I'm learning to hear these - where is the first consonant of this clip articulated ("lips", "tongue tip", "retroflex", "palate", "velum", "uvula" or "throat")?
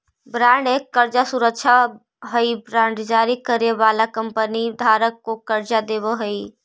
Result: lips